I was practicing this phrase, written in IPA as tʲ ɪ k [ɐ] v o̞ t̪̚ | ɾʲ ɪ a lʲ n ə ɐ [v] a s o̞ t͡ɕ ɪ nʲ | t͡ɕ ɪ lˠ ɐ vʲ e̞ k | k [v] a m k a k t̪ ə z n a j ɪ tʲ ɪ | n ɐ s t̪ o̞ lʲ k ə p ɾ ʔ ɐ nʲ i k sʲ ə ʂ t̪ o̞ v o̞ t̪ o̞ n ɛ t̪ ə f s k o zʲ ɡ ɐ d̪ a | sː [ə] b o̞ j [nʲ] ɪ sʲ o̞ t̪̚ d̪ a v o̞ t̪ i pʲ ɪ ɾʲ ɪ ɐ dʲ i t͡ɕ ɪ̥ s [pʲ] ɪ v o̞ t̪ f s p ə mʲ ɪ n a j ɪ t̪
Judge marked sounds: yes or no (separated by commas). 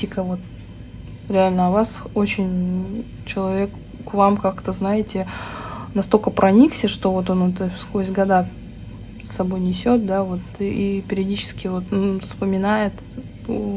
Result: no, yes, yes, no, yes, no